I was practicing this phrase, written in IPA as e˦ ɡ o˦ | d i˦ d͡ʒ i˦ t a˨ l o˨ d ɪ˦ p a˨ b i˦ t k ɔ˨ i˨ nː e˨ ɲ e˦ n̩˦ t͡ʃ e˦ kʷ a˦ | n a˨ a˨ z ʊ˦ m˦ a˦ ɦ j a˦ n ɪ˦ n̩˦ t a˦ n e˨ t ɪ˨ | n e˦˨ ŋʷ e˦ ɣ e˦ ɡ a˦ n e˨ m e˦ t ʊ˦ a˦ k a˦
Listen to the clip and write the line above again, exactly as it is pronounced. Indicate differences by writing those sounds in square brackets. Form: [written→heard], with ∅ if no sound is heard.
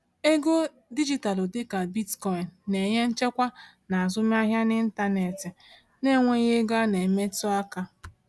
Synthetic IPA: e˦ ɡ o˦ | d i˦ d͡ʒ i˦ t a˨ l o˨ d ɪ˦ [p→k] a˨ b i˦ t k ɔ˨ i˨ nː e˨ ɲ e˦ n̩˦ t͡ʃ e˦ kʷ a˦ | n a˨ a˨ z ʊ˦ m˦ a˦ ɦ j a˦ n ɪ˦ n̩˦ t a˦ n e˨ t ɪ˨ | n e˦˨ ŋʷ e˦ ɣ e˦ ɡ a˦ n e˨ m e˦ t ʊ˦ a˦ k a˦